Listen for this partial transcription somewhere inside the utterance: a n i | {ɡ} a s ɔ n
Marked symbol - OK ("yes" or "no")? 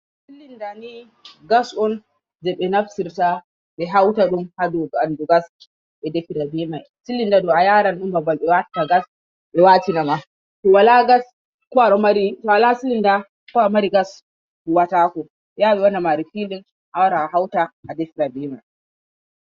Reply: yes